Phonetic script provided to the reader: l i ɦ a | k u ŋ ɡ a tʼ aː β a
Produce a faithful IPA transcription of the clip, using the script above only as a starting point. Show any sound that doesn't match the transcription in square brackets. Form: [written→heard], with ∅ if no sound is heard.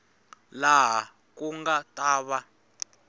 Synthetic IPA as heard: l [i→a] ɦ a | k u ŋ ɡ a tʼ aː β a